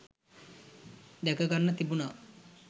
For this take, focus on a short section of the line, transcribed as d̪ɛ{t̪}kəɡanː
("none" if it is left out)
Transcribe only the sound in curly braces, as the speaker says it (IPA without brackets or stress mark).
none